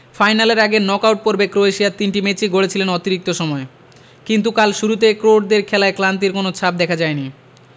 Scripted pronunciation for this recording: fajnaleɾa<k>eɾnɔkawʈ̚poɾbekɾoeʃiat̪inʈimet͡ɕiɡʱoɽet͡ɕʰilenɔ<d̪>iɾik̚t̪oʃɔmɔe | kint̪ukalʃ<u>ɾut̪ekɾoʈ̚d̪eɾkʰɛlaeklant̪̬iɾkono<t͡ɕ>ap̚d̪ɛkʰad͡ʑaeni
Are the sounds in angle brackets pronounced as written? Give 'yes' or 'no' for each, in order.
no, no, yes, no

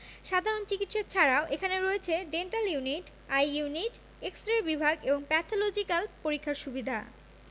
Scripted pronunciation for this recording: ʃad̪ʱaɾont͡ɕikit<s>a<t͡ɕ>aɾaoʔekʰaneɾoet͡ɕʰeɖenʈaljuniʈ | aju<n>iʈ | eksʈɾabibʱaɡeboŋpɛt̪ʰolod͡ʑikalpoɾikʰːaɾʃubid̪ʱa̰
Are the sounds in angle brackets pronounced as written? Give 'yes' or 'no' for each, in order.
no, no, yes

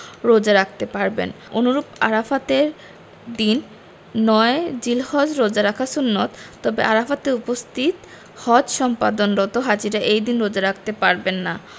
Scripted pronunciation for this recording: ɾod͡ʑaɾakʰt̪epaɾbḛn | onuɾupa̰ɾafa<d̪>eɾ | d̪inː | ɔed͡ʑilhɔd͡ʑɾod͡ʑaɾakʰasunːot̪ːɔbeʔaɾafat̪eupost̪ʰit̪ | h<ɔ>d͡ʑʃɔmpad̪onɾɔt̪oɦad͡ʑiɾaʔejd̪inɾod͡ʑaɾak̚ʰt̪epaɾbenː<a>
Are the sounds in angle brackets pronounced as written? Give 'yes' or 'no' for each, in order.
no, yes, yes

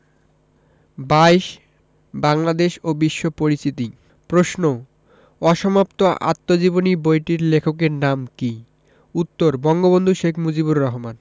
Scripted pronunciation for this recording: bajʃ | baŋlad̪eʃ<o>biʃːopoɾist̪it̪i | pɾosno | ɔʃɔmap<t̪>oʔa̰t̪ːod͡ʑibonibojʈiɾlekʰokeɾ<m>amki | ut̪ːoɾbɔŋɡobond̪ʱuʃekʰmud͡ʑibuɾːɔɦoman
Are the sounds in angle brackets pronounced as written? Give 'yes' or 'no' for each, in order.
yes, yes, no

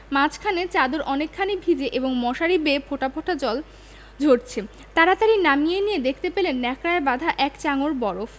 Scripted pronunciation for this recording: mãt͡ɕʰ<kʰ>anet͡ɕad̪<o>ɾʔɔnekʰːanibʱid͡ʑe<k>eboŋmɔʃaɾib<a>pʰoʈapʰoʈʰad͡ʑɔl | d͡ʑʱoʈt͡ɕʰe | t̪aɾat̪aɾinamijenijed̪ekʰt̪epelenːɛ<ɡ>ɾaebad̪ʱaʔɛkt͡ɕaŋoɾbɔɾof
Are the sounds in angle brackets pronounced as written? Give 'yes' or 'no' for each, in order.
yes, yes, no, no, no

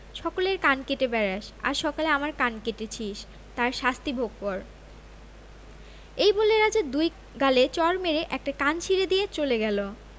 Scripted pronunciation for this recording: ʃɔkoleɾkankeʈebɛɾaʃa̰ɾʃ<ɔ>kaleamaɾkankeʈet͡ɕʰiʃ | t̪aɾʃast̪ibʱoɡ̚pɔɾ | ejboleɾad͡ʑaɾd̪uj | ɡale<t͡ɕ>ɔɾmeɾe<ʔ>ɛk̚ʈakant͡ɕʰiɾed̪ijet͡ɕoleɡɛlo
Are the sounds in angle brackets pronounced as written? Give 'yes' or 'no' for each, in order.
yes, yes, yes

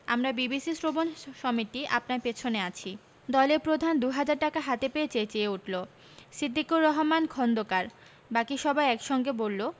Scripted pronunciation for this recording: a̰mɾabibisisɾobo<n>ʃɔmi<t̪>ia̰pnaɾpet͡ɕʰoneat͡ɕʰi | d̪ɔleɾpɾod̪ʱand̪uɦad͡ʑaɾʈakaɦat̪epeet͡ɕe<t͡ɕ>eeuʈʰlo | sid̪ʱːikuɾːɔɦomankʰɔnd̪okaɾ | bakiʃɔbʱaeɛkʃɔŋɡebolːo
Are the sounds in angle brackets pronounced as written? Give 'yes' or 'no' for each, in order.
yes, yes, yes

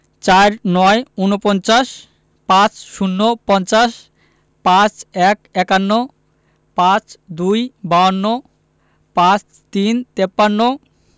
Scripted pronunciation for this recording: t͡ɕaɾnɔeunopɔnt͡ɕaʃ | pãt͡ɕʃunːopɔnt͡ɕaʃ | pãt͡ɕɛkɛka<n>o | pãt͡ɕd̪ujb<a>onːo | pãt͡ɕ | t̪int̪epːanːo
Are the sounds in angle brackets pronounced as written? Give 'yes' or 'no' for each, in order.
no, yes

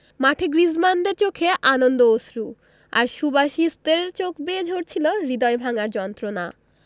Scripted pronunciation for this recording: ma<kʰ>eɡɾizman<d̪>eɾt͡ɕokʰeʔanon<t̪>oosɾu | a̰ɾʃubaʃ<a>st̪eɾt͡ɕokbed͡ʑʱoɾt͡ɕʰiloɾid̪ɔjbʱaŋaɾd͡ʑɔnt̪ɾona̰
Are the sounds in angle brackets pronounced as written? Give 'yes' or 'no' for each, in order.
no, yes, no, no

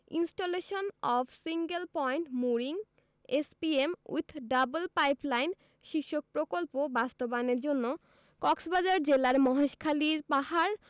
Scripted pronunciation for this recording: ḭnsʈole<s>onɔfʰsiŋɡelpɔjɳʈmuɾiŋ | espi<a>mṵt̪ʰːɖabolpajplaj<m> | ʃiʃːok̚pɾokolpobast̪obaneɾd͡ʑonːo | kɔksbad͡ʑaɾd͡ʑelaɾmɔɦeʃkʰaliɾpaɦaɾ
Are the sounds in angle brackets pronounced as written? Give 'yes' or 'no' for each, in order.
no, no, no

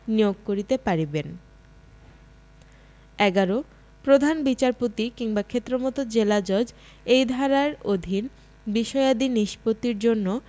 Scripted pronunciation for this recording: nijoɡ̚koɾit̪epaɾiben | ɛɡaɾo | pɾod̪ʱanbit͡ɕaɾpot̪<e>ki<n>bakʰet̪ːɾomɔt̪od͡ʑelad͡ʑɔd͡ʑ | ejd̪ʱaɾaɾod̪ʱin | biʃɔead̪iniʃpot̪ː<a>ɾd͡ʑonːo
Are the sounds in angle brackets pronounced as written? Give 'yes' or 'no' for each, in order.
no, no, no

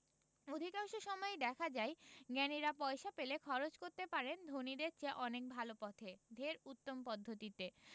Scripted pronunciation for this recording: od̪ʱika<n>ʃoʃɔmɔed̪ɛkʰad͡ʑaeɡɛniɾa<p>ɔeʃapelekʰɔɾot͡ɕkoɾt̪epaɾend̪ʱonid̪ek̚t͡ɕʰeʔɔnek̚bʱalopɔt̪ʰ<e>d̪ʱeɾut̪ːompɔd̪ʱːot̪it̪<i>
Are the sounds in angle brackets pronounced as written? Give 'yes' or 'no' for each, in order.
no, yes, yes, no

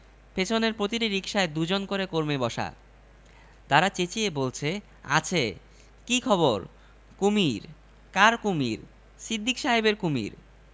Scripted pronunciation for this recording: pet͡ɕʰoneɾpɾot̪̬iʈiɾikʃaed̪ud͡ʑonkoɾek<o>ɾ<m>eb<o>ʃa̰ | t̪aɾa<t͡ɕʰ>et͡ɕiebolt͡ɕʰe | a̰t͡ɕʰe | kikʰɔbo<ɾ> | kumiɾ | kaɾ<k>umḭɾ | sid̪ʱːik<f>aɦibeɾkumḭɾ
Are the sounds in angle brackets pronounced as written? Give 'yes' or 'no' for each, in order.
yes, yes, no, no, yes, yes, no

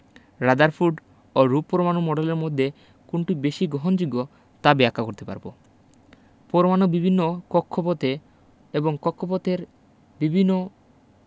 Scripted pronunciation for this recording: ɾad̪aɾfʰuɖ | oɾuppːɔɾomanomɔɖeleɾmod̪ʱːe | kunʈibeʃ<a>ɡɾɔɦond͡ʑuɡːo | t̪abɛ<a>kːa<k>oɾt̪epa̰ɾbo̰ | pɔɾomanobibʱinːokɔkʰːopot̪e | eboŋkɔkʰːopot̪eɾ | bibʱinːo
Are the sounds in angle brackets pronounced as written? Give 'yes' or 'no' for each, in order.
no, yes, yes

